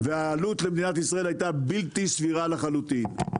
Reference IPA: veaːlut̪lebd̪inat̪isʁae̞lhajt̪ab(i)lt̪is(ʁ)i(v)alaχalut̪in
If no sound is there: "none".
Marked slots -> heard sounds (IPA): i, v, ʁ

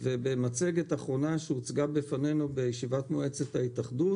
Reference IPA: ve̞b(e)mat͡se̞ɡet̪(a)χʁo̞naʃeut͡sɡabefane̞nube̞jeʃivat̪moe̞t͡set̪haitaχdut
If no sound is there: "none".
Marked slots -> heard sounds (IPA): e, a

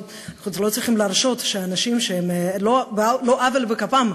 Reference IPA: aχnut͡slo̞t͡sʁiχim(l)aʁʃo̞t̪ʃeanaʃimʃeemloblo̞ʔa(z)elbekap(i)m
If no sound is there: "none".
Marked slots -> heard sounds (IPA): l, v, a

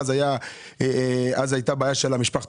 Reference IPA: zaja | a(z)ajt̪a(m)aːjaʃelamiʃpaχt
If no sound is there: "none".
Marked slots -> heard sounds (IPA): z, b

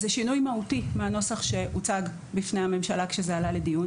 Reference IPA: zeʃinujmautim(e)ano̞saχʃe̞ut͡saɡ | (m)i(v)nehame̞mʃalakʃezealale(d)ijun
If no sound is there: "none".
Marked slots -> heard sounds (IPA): e, b, f, d

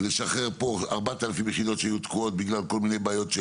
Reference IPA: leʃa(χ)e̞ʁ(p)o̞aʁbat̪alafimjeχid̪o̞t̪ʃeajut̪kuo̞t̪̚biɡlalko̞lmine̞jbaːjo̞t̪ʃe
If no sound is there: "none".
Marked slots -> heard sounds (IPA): χ, p

